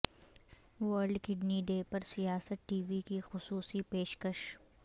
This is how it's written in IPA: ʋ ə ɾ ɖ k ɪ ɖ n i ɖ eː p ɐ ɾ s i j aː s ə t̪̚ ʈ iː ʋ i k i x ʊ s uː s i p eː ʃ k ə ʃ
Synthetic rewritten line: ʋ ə ɾ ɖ k ɪ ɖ n i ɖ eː p ɐ ɾ s i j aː s ə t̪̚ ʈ iː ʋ i k i x ʊ s uː s i p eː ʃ k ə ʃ

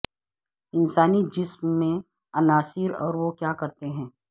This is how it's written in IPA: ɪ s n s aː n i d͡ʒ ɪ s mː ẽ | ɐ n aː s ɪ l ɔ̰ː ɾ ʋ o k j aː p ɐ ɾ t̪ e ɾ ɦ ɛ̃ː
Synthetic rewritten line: ɪ n s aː n i d͡ʒ ɪ s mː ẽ | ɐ n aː s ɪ ɾ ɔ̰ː ɾ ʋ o k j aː k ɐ ɾ t̪ e ɦ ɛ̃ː

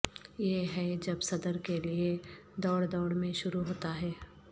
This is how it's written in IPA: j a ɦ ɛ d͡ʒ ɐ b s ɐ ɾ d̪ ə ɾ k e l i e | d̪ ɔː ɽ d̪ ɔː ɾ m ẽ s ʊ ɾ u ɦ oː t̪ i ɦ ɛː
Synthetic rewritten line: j e ɦ ɛ d͡ʒ ɐ b s ɐ d̪ ə ɾ k e l i e | d̪ ɔː ɽ d̪ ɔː ɽ m ẽ ʃ ʊ ɾ u ɦ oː t̪ a ɦ ɛː

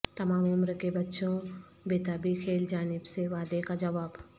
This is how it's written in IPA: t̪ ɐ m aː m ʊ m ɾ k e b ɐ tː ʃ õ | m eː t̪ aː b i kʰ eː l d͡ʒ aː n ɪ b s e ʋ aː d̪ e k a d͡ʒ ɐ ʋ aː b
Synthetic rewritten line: t̪ ɐ m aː m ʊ m ɾ k e b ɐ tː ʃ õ | b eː t̪ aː b i kʰ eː l d͡ʒ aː n ɪ b s e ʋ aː d̪ e k a d͡ʒ ɐ ʋ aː b

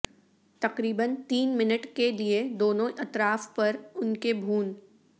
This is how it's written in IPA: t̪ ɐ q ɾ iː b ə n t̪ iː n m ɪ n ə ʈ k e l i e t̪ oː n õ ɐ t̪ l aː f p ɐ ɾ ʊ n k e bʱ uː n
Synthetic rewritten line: t̪ ɐ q ɾ iː b ə n t̪ iː n m ɪ n ə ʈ k e l i e d̪ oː n õ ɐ t̪ ɾ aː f p ɐ ɾ ʊ n k e bʱ uː n

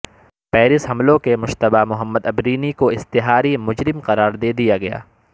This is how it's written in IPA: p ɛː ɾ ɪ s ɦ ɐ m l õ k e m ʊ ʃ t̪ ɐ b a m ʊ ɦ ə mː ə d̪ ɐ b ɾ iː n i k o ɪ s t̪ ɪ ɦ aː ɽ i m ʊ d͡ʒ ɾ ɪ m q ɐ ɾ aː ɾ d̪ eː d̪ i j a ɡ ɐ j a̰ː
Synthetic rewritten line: p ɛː ɾ ɪ s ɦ ɐ m l õ k e m ʊ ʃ t̪ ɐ b a m ʊ ɦ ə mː ə d̪ ɐ b ɾ iː n i k o ɪ s t̪ ɪ ɦ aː ɾ i m ʊ d͡ʒ ɾ ɪ m q ɐ ɾ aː ɾ d̪ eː d̪ i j a ɡ ɐ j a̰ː

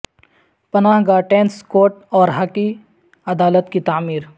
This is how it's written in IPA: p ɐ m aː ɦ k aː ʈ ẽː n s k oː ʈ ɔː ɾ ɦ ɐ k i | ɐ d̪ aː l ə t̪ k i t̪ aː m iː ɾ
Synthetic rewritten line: p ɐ n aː ɦ ɡ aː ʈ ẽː n s k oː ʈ ɔː ɾ ɦ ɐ k i | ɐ d̪ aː l ə t̪ k i t̪ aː m iː ɾ

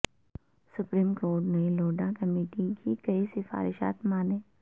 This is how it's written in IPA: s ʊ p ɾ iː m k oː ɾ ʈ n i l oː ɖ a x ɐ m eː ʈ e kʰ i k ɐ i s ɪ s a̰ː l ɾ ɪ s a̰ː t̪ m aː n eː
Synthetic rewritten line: s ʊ p ɾ iː m k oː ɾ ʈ n e l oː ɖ a k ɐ m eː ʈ i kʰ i k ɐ i s ɪ f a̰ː ɾ ɪ ʃ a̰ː t̪ m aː n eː

